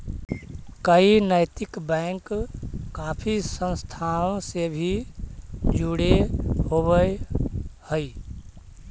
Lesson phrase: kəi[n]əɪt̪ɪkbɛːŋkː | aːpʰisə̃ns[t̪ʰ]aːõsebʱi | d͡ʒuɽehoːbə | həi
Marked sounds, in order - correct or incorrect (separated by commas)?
correct, correct